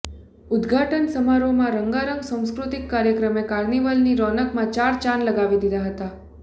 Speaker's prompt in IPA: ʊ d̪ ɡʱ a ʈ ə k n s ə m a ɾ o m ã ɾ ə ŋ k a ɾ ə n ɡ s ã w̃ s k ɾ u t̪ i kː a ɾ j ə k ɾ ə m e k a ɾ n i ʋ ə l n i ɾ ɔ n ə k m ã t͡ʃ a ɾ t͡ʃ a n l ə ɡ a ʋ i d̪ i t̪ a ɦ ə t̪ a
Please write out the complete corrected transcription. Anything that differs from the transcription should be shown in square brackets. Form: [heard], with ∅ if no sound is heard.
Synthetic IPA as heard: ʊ d̪ ɡʱ a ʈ ə [∅] n s ə m a ɾ o m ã ɾ ə ŋ [ɡ] a ɾ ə [ŋ] ɡ s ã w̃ s k ɾ u t̪ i kː a ɾ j ə k ɾ ə m e k a ɾ n i ʋ ə l n i ɾ ɔ n ə k m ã t͡ʃ a ɾ t͡ʃ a n l ə ɡ a ʋ i d̪ i [d̪] a ɦ ə t̪ a